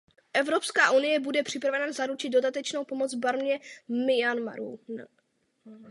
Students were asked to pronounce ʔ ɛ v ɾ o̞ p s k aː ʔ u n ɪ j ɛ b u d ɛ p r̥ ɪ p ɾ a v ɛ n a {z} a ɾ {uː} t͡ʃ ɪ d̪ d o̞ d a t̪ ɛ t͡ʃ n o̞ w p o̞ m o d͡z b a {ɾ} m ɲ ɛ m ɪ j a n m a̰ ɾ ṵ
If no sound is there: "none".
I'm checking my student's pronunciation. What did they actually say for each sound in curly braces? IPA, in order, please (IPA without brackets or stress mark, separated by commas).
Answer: z, u, ɾ